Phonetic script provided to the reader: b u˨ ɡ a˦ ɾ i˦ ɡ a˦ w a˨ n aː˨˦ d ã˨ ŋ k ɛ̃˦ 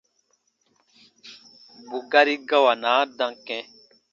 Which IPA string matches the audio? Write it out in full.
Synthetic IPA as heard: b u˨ ɡ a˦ ɾ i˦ ɡ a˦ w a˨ n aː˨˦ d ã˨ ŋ k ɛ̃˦